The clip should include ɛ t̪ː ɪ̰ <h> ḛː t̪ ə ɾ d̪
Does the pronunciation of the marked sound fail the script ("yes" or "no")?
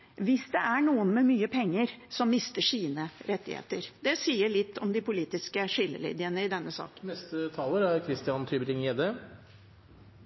no